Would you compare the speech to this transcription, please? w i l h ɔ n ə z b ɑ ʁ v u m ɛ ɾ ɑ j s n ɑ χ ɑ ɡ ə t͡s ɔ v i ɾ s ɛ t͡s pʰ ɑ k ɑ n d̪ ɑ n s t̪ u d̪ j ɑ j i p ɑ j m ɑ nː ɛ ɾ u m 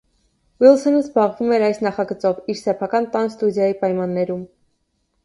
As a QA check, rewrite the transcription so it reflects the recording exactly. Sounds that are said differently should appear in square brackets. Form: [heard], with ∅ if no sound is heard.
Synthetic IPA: w i l [s] ɔ n ə z b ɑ ʁ v u m ɛ ɾ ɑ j s n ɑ χ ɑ ɡ ə t͡s ɔ v i ɾ s ɛ [∅] pʰ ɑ k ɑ n [t̪] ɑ n s t̪ u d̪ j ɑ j i p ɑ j m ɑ nː ɛ ɾ u m